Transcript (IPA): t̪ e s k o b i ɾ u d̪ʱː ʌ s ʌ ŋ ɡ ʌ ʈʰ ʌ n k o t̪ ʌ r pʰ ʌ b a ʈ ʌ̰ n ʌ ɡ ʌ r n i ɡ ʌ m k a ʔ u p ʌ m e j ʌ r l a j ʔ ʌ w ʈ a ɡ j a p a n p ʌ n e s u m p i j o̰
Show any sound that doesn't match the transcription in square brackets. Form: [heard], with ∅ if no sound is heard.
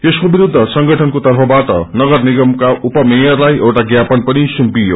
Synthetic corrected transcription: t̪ e s k o b i ɾ u d̪ʱː ʌ s ʌ ŋ ɡ ʌ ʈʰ ʌ n k o t̪ ʌ r pʰ ʌ b a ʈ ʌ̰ n ʌ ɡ ʌ r n i ɡ ʌ m k a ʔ u p ʌ m e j ʌ r l a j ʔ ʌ w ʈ a ɡ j a p [ʌ] n p ʌ n [i] s u m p i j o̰